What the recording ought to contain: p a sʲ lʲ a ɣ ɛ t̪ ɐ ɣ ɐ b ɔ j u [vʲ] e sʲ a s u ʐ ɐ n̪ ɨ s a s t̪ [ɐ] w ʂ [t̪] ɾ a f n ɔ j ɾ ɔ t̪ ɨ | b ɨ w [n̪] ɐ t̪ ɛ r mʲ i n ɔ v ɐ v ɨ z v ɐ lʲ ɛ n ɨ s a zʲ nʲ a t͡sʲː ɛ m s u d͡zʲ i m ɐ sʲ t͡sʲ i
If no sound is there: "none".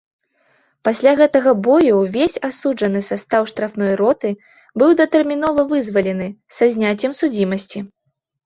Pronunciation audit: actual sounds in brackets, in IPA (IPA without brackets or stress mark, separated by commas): vʲ, a, t̪, d̪